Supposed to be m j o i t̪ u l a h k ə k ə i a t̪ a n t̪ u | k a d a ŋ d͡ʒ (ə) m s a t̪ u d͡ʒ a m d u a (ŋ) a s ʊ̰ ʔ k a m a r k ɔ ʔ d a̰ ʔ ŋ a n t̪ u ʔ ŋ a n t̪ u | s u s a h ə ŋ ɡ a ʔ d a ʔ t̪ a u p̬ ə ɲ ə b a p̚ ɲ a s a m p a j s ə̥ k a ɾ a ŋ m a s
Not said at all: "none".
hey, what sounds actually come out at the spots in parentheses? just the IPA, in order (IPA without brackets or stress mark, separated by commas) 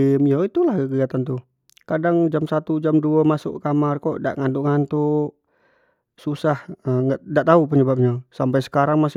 a, m